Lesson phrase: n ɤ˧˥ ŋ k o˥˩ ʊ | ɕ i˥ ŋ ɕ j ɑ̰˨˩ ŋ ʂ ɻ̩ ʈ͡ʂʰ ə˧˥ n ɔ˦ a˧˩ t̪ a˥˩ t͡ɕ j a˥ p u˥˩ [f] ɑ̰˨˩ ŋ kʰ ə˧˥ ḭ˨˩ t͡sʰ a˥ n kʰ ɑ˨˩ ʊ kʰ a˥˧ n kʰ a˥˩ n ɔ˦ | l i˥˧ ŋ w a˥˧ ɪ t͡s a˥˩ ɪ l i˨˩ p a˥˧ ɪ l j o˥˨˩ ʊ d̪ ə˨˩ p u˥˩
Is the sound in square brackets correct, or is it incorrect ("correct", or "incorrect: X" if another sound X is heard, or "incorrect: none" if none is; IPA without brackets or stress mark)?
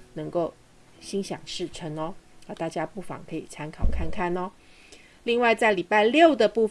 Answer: correct